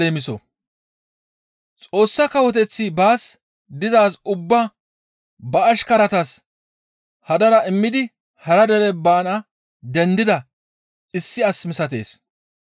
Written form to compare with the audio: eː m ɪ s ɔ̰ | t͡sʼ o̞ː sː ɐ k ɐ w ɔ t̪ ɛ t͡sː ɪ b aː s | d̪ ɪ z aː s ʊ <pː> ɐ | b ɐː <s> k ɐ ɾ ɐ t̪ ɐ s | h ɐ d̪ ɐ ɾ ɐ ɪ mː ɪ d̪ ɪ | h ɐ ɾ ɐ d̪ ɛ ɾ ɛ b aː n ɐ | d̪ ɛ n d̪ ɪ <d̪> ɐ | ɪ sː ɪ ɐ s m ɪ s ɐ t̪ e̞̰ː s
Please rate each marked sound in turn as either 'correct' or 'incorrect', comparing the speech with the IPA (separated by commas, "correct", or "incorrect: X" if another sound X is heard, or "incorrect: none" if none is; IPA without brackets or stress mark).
incorrect: bː, incorrect: ʃ, correct